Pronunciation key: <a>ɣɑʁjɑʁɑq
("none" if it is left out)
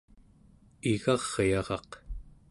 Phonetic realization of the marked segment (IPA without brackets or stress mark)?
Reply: i